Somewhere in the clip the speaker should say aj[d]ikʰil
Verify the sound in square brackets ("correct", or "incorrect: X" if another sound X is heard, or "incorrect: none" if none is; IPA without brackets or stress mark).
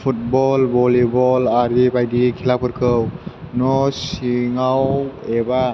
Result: correct